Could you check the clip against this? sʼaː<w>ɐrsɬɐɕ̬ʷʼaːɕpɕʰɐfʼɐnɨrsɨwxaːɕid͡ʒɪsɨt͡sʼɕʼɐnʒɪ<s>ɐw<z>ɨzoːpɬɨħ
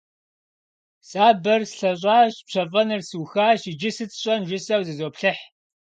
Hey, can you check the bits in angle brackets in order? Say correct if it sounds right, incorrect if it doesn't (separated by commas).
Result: incorrect, correct, correct